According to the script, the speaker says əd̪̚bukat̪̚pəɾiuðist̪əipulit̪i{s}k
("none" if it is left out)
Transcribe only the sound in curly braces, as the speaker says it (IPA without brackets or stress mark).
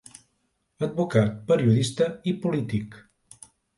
none